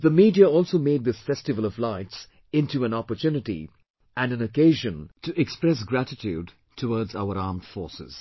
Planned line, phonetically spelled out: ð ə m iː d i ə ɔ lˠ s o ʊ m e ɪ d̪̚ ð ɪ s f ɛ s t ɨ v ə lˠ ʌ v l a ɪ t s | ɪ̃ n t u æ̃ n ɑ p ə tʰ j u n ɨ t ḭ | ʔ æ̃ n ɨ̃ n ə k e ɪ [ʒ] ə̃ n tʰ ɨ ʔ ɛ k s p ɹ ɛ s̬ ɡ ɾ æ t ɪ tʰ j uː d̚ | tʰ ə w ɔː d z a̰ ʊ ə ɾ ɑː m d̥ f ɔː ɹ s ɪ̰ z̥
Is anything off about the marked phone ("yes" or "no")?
no